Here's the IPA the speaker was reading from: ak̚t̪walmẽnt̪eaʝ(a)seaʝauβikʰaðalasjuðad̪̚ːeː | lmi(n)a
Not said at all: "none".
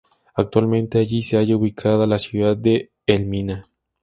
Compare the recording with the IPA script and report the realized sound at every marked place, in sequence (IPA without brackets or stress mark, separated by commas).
i, n